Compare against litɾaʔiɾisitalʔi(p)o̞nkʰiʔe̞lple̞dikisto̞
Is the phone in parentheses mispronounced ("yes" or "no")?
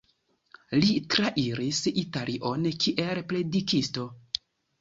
yes